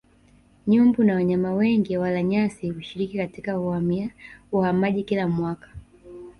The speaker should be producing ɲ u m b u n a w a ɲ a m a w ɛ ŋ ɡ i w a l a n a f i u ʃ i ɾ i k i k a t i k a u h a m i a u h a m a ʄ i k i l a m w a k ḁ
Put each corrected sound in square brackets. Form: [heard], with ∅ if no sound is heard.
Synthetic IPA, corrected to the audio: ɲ u m b u n a w a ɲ a m a w ɛ ŋ ɡ i w a l a [ɲ] a [s] i u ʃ i ɾ i k i k a t i k a u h a m i a u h a m a ʄ i k i l a m w a k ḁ